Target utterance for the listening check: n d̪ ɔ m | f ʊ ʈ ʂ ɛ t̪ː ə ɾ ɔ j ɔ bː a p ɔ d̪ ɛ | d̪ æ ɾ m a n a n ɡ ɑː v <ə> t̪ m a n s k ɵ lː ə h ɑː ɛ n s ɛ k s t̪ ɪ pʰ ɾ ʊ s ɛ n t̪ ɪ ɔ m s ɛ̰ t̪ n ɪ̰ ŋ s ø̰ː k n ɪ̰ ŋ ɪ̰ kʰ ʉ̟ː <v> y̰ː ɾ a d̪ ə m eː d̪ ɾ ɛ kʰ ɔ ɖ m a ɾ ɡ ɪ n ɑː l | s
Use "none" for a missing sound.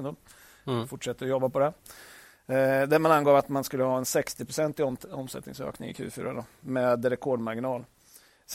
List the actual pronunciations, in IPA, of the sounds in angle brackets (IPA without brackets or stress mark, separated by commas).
a, f